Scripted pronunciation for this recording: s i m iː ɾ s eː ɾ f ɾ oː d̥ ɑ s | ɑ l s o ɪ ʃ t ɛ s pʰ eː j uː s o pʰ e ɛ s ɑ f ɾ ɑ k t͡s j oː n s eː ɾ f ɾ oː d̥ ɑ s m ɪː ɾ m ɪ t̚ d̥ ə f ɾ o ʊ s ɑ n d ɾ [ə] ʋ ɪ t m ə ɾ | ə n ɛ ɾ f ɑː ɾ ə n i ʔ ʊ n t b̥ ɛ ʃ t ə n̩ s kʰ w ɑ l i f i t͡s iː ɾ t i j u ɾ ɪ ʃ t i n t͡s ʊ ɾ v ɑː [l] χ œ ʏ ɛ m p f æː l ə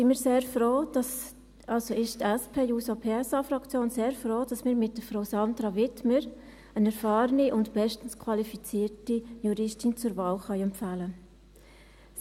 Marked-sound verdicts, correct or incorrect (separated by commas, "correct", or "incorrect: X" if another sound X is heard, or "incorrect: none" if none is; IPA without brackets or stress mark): incorrect: ɑ, correct